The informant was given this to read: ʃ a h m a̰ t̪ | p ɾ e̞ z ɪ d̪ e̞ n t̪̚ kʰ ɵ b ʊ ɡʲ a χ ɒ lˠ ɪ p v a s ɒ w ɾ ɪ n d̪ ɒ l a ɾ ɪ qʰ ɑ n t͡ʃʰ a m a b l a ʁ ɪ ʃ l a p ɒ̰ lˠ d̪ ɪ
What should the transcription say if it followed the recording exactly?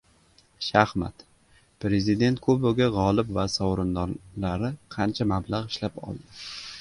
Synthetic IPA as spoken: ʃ a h m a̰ t̪ | p ɾ e̞ z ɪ d̪ e̞ n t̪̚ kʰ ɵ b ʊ ɡʲ a ʁ ɒ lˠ ɪ p v a s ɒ w ɾ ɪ n d̪ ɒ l a ɾ ɪ qʰ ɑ n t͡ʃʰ a m a b l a ʁ ɪ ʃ l a p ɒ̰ lˠ d̪ ɪ